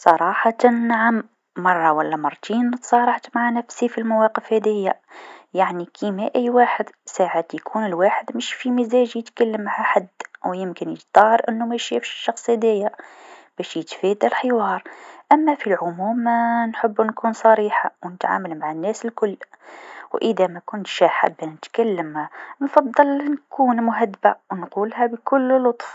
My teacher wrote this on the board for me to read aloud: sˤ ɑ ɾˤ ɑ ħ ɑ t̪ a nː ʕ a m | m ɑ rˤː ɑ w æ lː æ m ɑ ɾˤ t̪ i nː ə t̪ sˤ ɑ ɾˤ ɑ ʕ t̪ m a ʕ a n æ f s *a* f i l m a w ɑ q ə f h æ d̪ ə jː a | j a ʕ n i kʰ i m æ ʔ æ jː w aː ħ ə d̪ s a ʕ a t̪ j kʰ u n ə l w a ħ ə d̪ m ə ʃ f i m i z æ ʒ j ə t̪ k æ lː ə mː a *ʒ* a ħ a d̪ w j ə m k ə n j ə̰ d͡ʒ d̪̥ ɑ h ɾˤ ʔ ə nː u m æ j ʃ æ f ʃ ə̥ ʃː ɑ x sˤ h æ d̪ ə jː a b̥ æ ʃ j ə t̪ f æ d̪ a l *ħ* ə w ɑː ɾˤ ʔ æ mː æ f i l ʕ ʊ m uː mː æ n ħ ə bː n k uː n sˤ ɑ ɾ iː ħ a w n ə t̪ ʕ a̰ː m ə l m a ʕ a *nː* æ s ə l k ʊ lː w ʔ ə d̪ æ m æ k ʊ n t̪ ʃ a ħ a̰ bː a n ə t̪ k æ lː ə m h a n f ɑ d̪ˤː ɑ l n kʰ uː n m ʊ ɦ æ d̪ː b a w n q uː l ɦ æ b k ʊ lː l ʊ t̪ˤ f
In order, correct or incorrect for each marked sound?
incorrect, incorrect, correct, correct

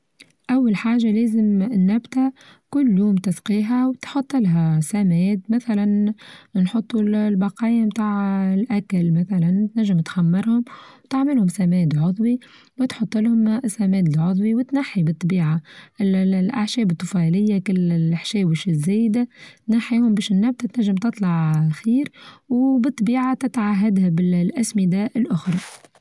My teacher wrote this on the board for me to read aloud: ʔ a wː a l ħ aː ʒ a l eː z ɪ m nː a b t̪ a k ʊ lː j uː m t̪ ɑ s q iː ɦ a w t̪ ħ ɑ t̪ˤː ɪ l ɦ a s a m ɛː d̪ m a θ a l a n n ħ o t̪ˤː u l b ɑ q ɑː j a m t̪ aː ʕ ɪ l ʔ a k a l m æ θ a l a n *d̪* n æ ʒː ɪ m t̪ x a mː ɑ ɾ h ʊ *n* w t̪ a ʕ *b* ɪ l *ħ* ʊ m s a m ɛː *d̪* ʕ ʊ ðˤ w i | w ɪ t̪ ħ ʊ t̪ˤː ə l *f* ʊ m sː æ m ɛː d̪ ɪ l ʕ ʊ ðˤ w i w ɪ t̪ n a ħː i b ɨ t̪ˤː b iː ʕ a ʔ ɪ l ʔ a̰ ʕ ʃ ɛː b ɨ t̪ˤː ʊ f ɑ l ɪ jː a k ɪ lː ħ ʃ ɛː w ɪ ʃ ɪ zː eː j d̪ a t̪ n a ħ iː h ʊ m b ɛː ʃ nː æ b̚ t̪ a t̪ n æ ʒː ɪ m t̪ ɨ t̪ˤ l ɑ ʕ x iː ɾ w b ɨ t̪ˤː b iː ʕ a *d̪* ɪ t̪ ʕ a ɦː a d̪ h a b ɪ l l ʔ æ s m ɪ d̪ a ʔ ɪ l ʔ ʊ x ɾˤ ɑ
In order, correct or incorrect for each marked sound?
incorrect, incorrect, incorrect, incorrect, correct, incorrect, incorrect

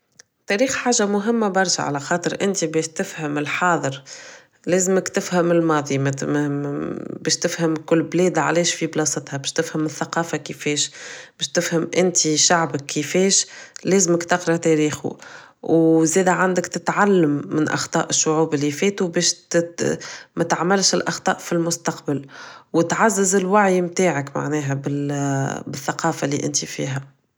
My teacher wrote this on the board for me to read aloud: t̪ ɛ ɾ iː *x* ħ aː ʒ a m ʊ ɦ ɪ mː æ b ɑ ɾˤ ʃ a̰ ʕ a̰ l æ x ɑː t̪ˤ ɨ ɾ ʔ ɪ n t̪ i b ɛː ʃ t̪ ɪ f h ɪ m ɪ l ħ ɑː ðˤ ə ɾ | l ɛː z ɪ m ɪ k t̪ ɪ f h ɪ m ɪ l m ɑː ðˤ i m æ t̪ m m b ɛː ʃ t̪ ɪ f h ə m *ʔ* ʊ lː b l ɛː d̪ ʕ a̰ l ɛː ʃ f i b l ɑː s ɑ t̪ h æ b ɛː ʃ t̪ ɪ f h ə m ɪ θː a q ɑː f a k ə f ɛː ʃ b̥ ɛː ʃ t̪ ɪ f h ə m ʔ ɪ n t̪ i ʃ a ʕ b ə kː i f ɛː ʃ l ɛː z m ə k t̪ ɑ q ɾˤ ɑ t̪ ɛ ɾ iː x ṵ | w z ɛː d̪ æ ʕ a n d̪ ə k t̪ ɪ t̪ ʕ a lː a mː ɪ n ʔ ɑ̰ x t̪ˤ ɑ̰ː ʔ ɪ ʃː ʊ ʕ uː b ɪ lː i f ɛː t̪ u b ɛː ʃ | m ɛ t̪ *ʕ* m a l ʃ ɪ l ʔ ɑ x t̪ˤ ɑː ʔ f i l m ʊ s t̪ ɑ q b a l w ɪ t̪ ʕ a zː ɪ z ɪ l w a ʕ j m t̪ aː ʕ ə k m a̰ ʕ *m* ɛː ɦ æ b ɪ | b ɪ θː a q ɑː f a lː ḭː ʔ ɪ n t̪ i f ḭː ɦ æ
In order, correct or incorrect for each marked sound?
correct, incorrect, correct, incorrect

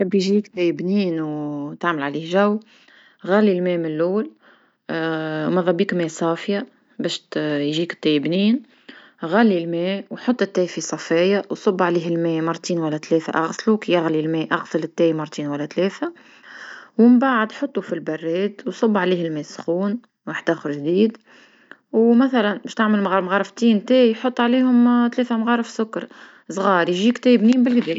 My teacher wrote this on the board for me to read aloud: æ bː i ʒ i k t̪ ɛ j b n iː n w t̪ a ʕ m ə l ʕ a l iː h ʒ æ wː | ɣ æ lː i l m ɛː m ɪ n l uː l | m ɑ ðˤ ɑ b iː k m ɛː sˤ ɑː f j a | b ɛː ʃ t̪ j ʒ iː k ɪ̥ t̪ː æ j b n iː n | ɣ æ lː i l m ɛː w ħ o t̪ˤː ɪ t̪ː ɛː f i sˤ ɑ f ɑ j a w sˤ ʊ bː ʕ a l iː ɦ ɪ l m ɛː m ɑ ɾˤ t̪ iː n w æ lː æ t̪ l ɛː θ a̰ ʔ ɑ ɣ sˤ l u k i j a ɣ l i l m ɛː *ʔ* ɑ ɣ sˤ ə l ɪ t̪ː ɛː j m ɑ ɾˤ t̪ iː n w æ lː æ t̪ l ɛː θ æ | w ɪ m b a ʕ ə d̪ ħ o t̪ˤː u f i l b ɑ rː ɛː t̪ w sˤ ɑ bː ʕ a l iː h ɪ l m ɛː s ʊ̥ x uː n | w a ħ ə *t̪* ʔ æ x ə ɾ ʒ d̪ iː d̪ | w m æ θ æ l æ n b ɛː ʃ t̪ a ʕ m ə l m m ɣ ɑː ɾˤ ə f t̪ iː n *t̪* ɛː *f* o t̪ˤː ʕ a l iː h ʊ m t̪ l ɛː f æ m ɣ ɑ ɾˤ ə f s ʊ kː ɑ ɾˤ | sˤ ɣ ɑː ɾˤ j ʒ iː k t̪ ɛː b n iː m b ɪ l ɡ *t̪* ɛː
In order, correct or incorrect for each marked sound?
correct, incorrect, correct, incorrect, incorrect

